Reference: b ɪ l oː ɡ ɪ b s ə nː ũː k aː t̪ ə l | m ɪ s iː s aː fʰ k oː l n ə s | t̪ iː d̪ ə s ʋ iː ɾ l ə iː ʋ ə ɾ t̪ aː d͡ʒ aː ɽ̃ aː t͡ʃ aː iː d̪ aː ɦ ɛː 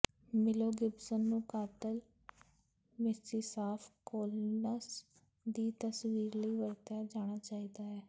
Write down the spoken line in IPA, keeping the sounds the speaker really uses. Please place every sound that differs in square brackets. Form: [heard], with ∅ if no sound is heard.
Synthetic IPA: [m] ɪ l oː ɡ ɪ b s ə nː ũː k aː t̪ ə l | m ɪ s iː s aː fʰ k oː l n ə s | [d̪] iː [t̪] ə s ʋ iː ɾ l ə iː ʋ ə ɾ t̪ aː d͡ʒ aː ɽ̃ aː t͡ʃ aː iː d̪ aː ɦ ɛː